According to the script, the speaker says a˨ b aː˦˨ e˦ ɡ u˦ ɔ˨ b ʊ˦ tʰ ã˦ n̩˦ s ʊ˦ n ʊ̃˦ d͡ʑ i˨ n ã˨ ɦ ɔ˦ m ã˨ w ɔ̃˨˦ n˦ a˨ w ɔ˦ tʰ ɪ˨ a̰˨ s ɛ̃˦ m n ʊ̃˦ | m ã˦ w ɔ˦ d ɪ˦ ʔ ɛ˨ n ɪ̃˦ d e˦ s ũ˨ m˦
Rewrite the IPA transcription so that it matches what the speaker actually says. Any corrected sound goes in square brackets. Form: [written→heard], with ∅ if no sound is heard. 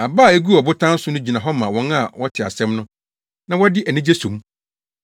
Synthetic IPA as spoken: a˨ b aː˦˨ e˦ ɡ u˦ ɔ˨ b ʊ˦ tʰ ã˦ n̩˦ s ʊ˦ n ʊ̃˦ d͡ʑ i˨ n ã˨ ɦ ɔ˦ m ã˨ w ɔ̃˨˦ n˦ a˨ w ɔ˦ tʰ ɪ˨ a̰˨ s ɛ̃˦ m n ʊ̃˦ | [m→n] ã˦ w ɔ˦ d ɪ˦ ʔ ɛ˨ n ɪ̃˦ [d→d͡ʑ] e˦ s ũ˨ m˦

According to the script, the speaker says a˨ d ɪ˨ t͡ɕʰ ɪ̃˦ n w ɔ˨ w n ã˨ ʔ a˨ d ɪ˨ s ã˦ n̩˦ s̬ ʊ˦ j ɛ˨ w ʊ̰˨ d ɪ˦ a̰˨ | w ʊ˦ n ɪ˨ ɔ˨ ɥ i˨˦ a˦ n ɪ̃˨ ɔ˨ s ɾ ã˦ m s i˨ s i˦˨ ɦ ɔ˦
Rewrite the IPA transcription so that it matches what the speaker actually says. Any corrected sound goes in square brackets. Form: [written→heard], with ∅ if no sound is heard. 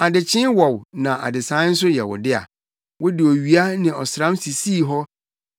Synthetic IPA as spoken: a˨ d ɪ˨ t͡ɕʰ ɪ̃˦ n w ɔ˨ w n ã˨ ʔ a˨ d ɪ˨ s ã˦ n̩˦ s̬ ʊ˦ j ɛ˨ w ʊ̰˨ d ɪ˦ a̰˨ | w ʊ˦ [n→d] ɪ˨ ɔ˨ ɥ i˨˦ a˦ n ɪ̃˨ ɔ˨ s ɾ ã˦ m s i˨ s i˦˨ ɦ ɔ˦

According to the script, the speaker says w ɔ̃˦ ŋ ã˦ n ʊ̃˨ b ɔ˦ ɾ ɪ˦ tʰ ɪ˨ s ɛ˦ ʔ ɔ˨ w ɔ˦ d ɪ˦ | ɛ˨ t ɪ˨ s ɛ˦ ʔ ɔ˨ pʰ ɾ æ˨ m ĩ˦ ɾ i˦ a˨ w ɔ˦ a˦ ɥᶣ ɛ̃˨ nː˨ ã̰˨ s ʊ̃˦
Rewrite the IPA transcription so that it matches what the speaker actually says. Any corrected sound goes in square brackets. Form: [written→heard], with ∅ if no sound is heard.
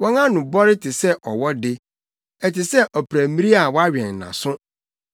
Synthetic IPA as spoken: w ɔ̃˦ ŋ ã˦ n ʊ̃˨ b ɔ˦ ɾ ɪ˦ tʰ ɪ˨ s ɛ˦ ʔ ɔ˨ w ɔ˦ d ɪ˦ | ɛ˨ t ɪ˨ s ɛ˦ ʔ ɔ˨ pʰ ɾ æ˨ m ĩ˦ ɾ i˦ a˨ w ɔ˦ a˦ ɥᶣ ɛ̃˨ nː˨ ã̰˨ s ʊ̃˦

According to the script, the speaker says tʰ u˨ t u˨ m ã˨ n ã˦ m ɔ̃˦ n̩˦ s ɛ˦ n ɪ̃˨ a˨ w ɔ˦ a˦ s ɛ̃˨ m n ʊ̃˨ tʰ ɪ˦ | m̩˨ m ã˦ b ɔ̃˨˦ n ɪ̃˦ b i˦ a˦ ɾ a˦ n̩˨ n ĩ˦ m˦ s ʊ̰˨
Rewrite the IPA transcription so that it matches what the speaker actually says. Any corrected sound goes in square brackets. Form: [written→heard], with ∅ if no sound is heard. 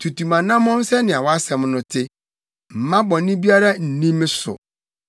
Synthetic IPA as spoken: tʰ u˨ t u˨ m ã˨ n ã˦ m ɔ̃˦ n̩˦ s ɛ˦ n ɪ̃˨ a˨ w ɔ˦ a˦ s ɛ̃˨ m n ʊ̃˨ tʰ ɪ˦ | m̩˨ m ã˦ b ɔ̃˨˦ n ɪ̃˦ b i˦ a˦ ɾ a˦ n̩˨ n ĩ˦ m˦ s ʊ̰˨

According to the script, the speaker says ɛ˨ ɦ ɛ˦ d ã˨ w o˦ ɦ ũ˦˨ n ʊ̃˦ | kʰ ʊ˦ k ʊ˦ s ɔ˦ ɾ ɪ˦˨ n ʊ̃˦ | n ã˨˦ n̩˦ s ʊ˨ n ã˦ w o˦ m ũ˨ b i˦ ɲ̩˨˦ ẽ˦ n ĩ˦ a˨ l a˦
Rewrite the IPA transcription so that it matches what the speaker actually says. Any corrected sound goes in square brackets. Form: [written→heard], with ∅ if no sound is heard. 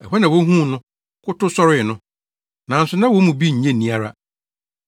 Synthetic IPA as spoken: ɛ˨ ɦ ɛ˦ [d→n] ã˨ w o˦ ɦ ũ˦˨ n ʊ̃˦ | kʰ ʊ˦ [k→t] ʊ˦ s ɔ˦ ɾ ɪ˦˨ n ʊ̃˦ | n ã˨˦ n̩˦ s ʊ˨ n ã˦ w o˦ m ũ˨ b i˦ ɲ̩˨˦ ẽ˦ n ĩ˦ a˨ [l→ɾ] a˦

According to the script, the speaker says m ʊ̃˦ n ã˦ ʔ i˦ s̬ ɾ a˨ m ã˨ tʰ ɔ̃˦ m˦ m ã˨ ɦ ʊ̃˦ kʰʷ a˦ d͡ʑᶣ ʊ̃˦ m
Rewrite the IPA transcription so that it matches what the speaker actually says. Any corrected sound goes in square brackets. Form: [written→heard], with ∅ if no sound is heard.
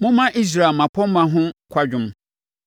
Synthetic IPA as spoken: m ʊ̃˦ [n→m] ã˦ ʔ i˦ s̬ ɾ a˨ m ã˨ [tʰ→pʰ] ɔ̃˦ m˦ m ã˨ ɦ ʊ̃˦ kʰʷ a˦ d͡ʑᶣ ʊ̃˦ m

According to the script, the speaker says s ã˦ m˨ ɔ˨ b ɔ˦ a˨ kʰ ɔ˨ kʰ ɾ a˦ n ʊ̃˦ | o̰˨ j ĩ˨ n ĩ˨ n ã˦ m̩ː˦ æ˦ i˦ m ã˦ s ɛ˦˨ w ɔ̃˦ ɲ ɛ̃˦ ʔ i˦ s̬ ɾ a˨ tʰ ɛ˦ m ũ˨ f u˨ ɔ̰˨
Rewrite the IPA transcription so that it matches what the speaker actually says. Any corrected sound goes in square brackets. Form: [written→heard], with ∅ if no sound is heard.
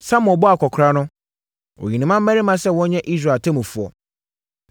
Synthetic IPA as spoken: s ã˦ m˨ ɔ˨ b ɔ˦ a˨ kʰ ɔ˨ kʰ ɾ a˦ n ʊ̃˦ | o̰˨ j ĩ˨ n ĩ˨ [n→m] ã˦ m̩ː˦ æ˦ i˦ m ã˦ s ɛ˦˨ w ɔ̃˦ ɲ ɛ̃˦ ʔ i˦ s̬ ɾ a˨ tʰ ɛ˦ m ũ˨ f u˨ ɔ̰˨

